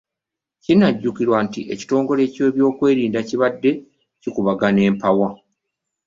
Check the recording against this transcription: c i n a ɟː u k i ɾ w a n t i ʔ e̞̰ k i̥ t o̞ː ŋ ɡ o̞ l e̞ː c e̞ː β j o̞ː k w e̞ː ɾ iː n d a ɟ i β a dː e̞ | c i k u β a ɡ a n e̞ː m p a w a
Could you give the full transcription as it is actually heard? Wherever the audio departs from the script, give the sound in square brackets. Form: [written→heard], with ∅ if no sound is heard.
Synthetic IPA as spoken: c i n a ɟː u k i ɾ w a n t i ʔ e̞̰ [k→c] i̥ t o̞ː ŋ ɡ o̞ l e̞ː c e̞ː β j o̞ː k w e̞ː ɾ iː n d a [ɟ→c] i β a dː e̞ | c i k u β a ɡ a n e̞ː m p a w a